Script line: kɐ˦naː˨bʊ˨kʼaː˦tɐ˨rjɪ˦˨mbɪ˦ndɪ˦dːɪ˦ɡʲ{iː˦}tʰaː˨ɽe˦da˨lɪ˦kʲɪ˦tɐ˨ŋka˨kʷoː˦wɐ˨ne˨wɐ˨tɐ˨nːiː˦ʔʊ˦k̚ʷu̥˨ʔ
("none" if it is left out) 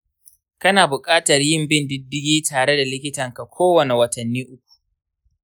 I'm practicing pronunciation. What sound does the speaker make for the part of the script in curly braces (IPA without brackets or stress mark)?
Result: iː˦